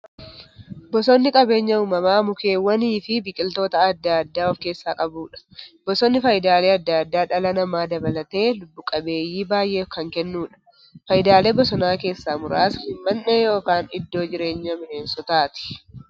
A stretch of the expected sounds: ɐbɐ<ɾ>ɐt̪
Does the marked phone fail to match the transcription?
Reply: yes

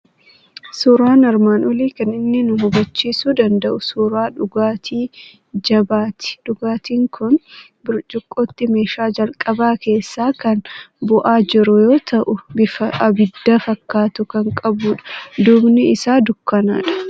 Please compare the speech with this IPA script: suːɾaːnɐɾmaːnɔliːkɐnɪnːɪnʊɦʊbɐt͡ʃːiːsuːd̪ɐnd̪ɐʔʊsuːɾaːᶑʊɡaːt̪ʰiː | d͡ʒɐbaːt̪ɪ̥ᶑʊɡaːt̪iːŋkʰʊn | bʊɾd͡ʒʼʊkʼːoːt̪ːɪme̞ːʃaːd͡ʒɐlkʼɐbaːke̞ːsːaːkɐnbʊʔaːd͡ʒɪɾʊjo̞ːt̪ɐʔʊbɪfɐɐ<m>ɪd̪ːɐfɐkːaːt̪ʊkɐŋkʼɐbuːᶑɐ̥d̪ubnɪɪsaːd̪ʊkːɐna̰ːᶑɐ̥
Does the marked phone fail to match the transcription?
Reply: yes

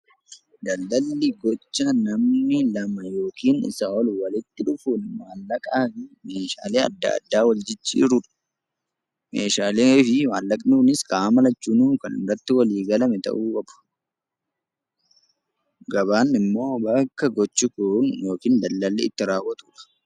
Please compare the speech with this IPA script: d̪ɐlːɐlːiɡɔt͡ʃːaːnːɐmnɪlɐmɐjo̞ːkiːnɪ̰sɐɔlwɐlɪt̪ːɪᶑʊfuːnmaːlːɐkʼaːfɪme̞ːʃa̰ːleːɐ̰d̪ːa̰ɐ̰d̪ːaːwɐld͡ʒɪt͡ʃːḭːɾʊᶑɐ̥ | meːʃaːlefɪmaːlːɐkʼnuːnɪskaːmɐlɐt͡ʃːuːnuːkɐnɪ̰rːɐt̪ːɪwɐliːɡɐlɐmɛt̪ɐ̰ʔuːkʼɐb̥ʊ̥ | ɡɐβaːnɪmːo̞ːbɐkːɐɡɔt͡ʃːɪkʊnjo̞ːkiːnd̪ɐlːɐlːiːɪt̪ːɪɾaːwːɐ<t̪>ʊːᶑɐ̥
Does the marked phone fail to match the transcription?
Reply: no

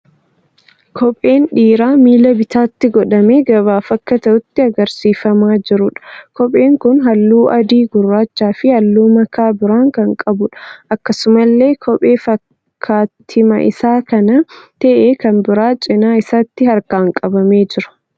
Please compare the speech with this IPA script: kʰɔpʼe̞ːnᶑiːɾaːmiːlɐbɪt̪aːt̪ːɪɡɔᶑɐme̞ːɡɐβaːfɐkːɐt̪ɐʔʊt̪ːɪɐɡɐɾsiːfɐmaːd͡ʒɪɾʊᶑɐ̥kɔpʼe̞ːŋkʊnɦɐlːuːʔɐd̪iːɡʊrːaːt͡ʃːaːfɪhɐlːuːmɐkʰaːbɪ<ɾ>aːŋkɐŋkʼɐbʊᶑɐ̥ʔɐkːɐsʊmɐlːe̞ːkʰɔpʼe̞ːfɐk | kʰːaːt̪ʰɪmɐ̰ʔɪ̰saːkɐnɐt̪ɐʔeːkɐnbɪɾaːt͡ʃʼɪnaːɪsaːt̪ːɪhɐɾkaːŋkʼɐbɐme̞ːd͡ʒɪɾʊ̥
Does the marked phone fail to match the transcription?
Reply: no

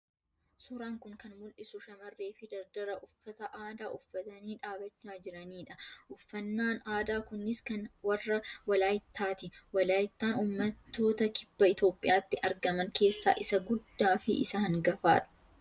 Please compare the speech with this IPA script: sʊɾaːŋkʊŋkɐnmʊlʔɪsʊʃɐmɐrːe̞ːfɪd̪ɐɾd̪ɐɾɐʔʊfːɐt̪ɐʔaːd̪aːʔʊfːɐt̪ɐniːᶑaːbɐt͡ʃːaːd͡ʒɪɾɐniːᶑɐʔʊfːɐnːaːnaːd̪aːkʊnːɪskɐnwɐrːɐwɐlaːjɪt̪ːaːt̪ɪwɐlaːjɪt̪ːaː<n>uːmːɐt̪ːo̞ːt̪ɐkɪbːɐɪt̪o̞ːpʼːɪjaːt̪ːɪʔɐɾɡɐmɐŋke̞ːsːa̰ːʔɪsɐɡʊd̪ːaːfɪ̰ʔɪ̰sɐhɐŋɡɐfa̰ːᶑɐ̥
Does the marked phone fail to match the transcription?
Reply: no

